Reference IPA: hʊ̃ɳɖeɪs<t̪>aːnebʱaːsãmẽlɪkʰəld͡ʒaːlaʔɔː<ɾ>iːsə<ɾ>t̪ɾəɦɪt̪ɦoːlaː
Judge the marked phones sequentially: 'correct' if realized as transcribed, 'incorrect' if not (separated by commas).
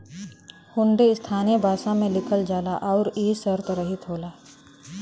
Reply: incorrect, correct, correct